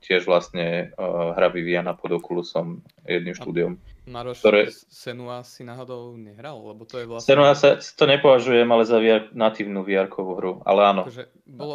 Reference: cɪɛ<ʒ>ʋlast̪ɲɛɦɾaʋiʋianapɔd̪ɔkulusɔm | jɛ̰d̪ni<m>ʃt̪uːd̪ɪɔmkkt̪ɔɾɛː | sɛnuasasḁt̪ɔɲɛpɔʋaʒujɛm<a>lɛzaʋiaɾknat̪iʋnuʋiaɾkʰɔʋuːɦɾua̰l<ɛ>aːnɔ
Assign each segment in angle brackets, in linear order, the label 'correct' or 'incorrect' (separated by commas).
correct, correct, correct, correct